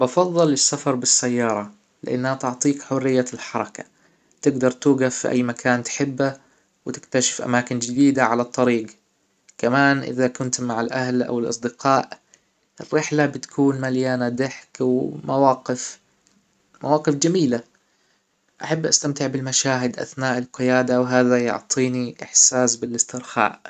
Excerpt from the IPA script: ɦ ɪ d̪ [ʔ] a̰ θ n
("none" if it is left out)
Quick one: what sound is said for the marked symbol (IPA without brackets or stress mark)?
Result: ʔ